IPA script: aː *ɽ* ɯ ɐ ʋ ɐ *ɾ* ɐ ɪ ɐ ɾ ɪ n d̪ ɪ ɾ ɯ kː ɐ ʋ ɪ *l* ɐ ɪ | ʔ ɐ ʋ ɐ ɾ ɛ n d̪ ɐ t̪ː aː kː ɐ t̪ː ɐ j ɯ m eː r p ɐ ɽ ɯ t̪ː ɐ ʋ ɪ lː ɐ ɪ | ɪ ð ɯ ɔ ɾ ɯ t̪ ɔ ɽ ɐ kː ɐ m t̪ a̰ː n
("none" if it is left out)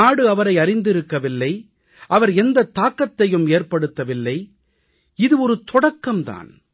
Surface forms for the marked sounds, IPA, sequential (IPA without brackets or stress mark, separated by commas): ɽ, ɾ, lː